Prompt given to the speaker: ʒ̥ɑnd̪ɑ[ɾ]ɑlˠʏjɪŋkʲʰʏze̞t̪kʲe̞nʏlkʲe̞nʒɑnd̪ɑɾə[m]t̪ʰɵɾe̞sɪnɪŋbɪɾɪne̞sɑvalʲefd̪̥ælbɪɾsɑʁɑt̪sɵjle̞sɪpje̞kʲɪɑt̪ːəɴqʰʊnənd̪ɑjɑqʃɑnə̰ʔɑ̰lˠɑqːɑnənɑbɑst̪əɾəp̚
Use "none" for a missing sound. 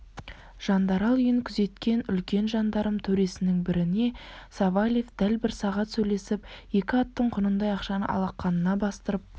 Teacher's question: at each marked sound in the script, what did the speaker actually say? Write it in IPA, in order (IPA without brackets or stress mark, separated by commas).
ɾ, m